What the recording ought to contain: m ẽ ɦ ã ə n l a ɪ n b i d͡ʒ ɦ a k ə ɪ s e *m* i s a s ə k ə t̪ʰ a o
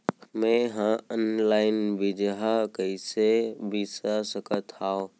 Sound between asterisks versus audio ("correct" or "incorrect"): incorrect